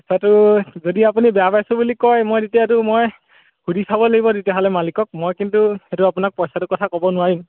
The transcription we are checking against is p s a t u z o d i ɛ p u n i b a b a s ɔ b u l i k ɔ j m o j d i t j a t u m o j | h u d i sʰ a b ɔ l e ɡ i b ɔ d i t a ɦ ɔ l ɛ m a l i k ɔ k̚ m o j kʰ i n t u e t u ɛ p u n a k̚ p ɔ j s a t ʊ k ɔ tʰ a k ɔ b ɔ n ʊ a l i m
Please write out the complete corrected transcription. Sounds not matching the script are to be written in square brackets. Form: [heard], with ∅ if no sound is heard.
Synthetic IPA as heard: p s a t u z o d i [a] p u n i b a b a s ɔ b u l i k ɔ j m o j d i t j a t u m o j | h u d i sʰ a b ɔ l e ɡ i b ɔ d i t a ɦ ɔ l ɛ m a l i k ɔ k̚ m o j [k] i n t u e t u [a] p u n a k̚ p ɔ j s a t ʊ k ɔ tʰ a k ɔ b ɔ n ʊ a [ɹ] i m